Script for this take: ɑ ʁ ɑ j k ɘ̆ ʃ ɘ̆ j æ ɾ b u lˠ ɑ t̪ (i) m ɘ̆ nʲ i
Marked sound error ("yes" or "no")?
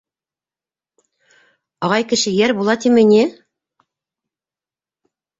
no